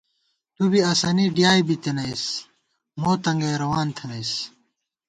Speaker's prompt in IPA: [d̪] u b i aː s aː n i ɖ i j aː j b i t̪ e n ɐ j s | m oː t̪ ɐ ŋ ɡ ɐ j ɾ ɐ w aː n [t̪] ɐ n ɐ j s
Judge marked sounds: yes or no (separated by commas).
no, no